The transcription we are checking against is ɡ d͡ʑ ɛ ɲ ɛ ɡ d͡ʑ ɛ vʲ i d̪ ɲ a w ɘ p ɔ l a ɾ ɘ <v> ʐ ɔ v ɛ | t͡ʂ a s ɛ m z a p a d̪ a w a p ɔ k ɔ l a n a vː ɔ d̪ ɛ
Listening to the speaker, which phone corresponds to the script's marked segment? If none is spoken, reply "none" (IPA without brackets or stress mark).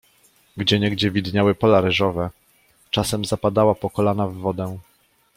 none